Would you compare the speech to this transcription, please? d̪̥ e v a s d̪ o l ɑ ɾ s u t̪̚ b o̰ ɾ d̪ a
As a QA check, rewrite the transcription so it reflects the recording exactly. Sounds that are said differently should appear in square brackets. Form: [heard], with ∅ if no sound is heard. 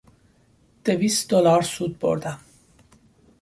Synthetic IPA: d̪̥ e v [i] s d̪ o l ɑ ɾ s u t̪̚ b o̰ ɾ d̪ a